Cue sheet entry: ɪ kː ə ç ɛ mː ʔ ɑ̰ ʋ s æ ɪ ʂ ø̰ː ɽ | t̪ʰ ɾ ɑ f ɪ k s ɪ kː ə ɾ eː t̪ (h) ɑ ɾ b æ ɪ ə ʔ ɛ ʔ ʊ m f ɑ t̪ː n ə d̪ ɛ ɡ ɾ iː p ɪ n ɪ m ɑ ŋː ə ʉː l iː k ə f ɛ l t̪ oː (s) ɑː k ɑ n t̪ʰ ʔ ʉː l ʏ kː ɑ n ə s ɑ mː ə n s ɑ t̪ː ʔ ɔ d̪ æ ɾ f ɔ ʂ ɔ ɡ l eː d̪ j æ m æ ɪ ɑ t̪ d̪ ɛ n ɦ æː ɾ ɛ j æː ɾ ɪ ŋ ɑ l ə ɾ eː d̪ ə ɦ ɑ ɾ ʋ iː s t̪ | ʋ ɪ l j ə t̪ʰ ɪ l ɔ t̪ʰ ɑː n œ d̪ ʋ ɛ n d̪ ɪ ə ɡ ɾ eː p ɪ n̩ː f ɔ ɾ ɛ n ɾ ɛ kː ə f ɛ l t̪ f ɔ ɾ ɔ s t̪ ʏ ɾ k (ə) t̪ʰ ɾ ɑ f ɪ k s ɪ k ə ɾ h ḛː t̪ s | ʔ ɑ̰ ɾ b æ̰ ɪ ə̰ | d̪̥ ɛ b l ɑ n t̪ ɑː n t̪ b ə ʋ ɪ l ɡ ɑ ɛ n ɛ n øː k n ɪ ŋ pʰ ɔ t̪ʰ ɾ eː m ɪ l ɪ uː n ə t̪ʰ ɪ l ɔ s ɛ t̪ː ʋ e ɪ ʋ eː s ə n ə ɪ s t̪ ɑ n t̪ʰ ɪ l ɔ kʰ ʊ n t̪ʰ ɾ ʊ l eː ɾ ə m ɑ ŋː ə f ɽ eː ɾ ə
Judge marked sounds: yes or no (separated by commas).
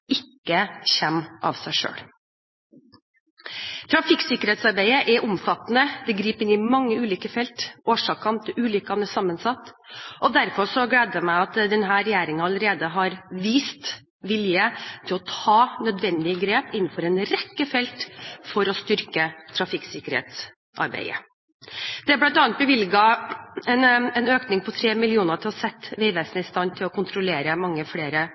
no, no, yes